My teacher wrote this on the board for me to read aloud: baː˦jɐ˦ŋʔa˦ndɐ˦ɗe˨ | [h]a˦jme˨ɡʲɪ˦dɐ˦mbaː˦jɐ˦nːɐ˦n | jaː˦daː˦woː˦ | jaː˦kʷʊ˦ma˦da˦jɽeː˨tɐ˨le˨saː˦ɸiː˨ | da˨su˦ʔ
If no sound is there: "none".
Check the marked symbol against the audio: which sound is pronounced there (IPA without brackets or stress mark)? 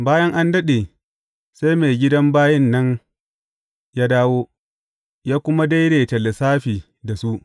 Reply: s